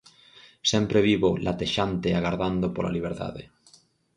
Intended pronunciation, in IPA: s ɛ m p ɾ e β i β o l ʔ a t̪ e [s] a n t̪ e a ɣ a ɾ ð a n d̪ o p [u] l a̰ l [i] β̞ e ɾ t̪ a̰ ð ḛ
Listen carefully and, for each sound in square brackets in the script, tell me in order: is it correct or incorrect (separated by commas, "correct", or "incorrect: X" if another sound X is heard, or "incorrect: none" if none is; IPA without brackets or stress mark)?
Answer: incorrect: ʃ, incorrect: o, correct